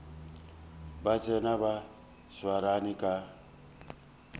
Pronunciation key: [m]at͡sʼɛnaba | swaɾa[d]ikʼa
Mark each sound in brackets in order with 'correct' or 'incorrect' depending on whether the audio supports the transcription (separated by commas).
incorrect, incorrect